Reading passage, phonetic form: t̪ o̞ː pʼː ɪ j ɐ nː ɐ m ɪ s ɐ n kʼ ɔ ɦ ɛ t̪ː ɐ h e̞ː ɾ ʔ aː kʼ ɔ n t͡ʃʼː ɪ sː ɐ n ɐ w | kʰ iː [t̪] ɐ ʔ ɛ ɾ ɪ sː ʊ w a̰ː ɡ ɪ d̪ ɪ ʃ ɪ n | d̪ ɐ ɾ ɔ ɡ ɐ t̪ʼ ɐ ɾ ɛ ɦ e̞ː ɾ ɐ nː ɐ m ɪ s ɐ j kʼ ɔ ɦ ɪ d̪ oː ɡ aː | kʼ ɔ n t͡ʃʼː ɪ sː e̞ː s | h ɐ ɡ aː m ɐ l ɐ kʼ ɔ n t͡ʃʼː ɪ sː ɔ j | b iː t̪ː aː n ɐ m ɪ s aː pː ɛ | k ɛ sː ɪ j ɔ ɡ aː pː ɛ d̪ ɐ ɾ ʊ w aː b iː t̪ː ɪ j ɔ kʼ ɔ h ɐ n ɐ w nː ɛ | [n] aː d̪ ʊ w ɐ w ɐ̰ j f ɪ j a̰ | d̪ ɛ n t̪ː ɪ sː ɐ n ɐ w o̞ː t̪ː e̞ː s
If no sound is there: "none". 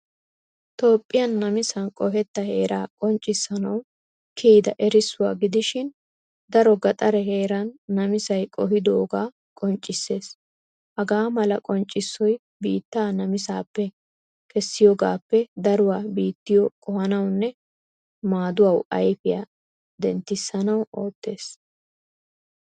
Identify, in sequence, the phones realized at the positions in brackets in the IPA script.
d̪, m

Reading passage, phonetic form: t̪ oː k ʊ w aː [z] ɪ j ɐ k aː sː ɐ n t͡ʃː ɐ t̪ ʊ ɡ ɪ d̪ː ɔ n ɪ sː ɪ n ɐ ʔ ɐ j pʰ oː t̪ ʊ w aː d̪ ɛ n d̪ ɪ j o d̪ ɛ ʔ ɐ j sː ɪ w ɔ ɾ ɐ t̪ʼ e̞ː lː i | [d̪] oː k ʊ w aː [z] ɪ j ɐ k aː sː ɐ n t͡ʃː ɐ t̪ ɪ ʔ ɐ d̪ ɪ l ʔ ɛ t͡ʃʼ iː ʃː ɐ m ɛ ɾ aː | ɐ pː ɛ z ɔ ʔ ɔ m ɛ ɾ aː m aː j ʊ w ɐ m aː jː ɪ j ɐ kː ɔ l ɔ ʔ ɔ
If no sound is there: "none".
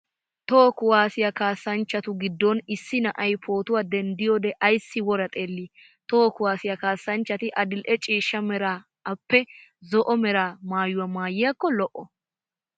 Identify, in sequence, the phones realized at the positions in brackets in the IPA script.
s, t̪, s

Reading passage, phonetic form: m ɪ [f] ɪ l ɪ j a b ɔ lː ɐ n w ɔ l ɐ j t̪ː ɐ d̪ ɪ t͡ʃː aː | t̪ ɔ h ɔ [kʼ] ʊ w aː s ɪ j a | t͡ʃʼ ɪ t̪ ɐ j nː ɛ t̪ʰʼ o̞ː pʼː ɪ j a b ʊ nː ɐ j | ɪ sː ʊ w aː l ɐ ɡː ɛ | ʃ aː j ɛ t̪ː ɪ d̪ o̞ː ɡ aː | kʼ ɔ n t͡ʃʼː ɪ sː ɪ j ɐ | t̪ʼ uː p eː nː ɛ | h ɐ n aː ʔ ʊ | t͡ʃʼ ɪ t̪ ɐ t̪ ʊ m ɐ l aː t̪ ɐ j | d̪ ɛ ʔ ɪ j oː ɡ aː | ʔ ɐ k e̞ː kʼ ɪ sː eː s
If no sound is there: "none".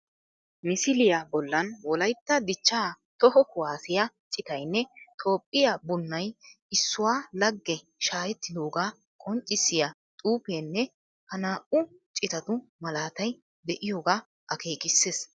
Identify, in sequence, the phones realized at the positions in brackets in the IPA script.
s, k

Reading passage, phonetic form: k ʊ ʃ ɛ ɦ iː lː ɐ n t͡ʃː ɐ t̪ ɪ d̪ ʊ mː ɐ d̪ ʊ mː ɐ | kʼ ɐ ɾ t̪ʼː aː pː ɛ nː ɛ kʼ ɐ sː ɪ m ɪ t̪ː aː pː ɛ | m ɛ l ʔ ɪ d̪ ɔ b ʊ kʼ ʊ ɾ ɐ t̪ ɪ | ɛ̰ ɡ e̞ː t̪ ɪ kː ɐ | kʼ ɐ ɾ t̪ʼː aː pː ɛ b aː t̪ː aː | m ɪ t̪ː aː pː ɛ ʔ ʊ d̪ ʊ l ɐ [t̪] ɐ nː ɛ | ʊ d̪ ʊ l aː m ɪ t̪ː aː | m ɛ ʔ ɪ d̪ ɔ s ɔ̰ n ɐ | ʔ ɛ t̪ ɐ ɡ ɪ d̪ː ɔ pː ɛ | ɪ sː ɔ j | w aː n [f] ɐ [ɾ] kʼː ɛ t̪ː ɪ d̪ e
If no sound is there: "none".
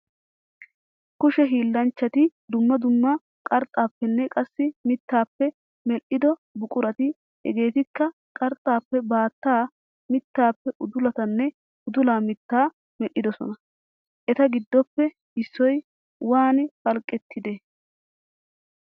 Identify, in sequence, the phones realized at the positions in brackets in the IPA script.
t̪, f, l

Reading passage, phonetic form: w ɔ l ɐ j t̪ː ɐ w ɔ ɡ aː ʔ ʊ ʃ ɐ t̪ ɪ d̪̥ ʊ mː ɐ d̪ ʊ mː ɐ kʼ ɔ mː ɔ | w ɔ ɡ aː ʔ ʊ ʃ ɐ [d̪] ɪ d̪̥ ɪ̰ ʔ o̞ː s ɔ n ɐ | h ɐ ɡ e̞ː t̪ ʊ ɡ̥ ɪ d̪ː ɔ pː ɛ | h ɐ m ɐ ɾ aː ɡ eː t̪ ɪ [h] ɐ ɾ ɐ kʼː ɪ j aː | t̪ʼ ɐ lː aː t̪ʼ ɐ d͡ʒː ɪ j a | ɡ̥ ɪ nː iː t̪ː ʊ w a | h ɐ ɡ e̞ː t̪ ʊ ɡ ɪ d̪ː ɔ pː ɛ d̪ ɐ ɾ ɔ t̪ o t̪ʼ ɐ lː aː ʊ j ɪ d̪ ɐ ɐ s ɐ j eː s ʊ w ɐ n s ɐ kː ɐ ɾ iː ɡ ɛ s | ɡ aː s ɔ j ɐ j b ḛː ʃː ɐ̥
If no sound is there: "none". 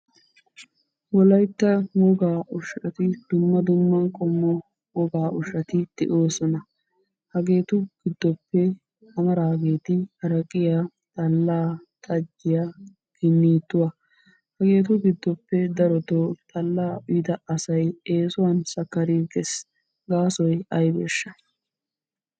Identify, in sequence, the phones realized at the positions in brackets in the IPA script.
t̪, h

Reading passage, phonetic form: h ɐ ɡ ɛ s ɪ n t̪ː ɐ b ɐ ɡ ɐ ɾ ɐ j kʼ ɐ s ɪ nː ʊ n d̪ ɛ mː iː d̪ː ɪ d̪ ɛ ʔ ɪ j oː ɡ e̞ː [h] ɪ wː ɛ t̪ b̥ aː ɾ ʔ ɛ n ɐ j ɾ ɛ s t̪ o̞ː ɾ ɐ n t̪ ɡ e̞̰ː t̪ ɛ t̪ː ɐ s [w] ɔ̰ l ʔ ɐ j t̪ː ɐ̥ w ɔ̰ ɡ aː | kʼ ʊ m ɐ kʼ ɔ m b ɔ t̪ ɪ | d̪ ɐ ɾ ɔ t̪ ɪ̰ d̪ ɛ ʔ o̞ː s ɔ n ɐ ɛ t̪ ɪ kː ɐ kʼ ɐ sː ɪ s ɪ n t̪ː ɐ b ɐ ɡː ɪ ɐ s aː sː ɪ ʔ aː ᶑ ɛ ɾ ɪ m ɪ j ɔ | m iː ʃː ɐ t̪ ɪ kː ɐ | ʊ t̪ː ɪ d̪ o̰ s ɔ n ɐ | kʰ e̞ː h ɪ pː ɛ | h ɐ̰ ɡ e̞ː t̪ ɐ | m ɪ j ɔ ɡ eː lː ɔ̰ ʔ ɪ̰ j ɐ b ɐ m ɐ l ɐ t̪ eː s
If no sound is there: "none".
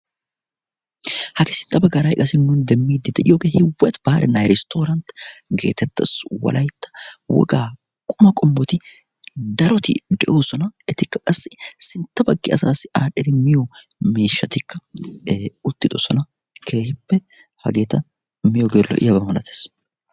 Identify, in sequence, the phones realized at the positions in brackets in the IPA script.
h, w

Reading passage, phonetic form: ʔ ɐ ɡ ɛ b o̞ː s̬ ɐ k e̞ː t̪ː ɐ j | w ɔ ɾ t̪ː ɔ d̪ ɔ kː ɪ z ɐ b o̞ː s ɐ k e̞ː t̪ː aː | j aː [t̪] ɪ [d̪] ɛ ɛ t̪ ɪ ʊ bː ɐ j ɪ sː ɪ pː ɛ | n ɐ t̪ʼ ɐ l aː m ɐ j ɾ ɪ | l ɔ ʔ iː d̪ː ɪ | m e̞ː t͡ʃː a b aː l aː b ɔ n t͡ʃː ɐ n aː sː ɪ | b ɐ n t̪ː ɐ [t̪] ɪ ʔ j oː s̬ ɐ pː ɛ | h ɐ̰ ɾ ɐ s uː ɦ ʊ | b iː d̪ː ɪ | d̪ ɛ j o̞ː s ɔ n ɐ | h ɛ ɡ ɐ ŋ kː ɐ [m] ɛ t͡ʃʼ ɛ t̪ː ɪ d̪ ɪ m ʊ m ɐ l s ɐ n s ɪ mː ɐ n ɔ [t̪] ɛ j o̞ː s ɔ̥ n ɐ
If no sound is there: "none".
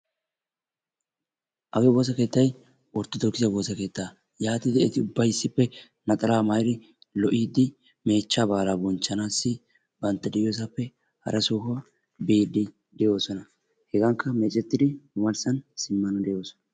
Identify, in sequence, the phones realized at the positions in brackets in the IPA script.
t̪, d̪, d̪, m, d̪

